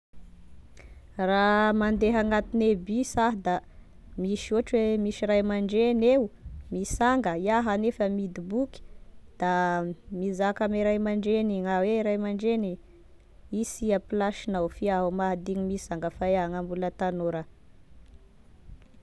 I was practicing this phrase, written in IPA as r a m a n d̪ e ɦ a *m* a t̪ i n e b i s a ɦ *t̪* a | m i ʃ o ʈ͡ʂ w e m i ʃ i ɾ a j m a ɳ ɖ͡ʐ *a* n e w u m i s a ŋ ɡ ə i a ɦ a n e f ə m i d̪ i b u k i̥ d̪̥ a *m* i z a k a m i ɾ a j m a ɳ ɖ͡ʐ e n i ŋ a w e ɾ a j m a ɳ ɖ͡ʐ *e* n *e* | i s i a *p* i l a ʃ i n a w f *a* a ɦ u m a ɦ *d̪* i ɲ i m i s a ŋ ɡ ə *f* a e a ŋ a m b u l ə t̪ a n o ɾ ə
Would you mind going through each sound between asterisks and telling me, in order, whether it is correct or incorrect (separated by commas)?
incorrect, incorrect, incorrect, correct, correct, incorrect, correct, incorrect, correct, correct